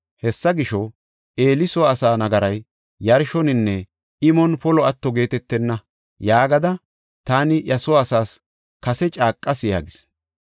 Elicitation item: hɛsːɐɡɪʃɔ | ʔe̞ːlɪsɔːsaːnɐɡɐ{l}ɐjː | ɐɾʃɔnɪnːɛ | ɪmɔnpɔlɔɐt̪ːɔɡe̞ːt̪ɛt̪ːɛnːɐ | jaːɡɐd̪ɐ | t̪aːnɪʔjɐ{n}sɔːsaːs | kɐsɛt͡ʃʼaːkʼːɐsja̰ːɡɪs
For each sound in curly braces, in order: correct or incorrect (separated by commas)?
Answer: incorrect, incorrect